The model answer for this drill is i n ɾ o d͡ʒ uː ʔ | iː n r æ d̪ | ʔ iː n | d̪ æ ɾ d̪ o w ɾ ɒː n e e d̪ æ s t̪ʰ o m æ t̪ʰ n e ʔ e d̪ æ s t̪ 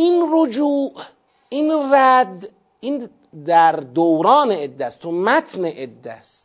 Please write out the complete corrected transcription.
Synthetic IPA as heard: i n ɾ o d͡ʒ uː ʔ | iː n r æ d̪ | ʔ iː n | d̪ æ ɾ d̪ o w ɾ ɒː n e e d̪ː æ s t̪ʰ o m æ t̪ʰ n e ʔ e d̪ː æ s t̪